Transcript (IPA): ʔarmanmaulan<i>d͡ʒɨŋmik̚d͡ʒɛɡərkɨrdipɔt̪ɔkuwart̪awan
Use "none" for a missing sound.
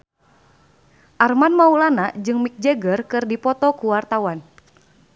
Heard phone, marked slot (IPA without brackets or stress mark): a